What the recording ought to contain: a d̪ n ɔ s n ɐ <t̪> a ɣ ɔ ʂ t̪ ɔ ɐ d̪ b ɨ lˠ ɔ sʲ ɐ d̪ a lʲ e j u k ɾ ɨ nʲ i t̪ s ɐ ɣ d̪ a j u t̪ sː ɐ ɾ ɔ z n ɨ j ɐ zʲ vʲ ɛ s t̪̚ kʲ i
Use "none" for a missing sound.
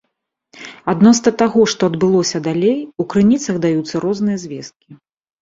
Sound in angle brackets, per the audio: t̪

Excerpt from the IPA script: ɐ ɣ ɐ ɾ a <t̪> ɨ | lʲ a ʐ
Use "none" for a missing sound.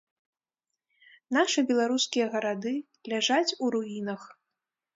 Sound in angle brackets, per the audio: d̪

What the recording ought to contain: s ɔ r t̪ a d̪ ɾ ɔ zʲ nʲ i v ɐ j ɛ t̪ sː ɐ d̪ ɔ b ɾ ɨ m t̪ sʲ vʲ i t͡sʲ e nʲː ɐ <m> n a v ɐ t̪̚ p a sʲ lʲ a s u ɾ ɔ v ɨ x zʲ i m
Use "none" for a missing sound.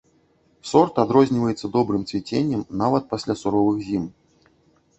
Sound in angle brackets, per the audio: m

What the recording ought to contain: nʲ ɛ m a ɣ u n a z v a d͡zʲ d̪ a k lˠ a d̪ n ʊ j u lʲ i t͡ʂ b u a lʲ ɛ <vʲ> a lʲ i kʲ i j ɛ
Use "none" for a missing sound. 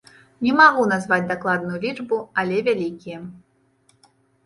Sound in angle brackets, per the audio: vʲ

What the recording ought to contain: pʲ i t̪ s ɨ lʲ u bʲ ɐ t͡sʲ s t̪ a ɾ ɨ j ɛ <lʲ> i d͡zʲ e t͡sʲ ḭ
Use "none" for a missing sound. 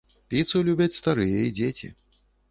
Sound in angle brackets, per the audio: none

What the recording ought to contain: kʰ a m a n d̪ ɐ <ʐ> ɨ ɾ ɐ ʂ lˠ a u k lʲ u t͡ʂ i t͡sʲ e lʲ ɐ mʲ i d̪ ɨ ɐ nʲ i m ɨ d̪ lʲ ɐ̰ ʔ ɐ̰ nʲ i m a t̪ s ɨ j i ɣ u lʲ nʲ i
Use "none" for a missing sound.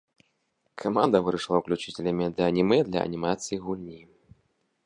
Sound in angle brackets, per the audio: v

